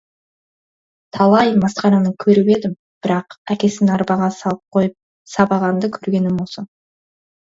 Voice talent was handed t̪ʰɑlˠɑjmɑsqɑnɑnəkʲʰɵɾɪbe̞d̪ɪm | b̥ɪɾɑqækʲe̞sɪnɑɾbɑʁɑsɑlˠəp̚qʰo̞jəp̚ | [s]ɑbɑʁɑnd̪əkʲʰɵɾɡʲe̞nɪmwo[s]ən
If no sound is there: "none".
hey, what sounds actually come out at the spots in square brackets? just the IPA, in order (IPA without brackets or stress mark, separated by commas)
s, s